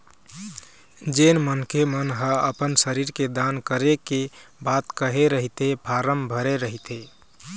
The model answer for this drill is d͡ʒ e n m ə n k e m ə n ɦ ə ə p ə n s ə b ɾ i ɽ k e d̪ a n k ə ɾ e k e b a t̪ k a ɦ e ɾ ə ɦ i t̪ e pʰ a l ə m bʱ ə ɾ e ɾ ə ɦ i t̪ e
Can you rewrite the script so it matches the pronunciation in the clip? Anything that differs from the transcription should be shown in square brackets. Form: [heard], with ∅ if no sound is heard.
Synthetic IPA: d͡ʒ e n m ə n k e m ə n ɦ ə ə p ə n s ə [∅] ɾ i [ɾ] k e d̪ a n k ə ɾ e k e b a t̪ k [ə] ɦ e ɾ ə ɦ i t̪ e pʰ a [ɾ] ə m bʱ ə ɾ e ɾ ə ɦ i t̪ e

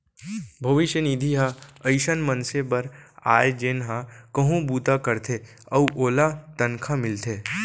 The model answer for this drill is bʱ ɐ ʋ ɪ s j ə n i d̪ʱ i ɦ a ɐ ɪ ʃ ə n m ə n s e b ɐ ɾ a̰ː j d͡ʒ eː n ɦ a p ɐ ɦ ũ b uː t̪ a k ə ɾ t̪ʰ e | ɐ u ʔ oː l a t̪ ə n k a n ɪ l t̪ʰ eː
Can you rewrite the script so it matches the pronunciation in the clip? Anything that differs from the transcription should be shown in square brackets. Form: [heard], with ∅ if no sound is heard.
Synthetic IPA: bʱ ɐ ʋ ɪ [ʃ] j ə n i d̪ʱ i ɦ a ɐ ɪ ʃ ə n m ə n s e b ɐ ɾ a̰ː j d͡ʒ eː n ɦ a [k] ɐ ɦ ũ b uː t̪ a k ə ɾ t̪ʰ e | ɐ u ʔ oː l a t̪ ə n [kʰ] a [m] ɪ l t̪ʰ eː

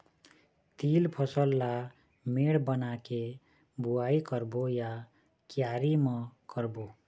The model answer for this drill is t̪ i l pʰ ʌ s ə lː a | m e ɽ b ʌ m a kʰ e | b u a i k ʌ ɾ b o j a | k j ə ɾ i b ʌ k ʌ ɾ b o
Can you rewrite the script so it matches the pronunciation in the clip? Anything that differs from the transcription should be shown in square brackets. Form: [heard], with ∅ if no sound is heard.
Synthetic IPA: t̪ i l pʰ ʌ s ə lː a | m e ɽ b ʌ [n] a [k] e | b u a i k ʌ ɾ b o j a | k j [a] ɾ i [m] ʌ k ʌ ɾ b o

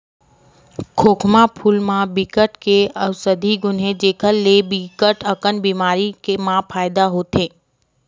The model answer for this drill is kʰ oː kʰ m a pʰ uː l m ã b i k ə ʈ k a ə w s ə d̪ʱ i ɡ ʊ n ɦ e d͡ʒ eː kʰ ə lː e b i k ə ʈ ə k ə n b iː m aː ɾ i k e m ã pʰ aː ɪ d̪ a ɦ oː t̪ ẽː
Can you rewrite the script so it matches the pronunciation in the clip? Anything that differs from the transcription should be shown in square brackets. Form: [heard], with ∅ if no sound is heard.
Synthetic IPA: kʰ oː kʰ m a pʰ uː l m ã b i k ə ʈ k [e] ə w s ə d̪ʱ i ɡ ʊ n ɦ e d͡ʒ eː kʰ ə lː e b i k ə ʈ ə k ə n b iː m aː ɾ i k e m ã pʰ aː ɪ d̪ a ɦ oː t̪ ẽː

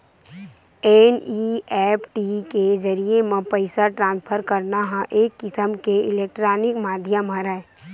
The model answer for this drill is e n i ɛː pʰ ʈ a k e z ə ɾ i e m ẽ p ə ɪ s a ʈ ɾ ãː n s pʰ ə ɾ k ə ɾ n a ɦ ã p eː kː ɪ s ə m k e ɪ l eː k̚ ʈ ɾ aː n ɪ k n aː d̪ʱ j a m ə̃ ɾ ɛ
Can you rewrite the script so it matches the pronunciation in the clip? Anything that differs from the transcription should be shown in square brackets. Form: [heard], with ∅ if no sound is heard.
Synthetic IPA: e n i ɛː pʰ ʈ [i] k e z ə ɾ i e m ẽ p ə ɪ s a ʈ ɾ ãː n s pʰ ə ɾ k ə ɾ n a ɦ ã [ʔ] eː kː ɪ s ə m k e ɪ l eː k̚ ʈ ɾ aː n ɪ k [m] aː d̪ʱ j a m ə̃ ɾ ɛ

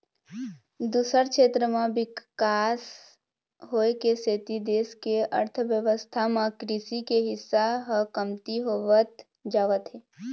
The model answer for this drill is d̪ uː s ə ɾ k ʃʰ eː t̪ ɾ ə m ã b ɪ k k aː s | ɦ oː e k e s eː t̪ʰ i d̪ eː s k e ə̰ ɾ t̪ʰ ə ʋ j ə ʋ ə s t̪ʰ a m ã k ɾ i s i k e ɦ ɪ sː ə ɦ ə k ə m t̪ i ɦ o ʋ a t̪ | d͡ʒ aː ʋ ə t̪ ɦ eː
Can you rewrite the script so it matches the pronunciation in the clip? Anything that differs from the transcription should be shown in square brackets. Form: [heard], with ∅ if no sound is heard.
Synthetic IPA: d̪ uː s ə ɾ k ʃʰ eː t̪ ɾ ə m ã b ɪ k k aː s | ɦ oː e k e s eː [t̪] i d̪ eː s k e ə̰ ɾ t̪ʰ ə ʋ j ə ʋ ə s t̪ʰ a m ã k ɾ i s i k e ɦ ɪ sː [a] ɦ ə k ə m t̪ i ɦ o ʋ [ə] t̪ | d͡ʒ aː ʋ ə t̪ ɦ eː

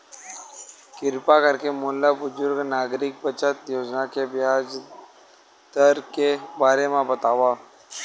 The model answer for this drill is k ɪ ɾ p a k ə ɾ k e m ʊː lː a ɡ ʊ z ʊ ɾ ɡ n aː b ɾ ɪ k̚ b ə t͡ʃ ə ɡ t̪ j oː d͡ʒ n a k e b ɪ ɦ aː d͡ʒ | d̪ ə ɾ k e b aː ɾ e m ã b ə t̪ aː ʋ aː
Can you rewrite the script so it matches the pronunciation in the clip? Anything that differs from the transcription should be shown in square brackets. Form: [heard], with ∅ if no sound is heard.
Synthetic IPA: k ɪ ɾ p a k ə ɾ k e m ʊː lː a [b] ʊ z ʊ ɾ ɡ n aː [ɡ] ɾ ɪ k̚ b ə t͡ʃ ə [∅] t̪ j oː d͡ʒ n a k e b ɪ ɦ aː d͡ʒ | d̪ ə ɾ k e b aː ɾ e m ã b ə t̪ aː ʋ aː

